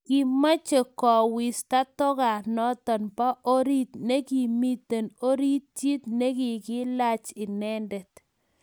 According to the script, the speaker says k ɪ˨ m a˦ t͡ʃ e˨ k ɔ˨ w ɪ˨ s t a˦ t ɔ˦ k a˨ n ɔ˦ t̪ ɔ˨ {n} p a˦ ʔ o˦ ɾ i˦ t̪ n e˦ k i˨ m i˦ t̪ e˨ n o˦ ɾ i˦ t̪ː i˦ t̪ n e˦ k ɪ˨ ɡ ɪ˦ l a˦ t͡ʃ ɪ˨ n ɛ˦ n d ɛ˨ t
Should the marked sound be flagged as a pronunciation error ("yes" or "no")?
no